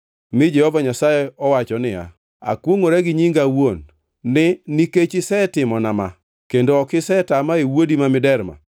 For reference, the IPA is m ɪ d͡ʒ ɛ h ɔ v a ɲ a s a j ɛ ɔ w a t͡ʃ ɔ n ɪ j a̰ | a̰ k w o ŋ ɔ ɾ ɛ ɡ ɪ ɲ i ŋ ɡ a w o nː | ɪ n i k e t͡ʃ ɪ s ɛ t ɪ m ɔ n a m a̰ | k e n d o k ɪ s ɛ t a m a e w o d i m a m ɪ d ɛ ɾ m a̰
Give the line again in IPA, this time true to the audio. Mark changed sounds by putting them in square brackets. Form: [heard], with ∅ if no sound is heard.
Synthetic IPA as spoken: m ɪ d͡ʒ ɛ h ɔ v a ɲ a s a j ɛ ɔ w a t͡ʃ ɔ n ɪ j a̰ | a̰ k w o ŋ [o] ɾ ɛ ɡ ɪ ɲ i ŋ ɡ a w o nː | ɪ n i k e t͡ʃ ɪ s ɛ t ɪ m ɔ n a m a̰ | k e n d o k ɪ s ɛ t a m a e w o d i m a m ɪ d ɛ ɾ m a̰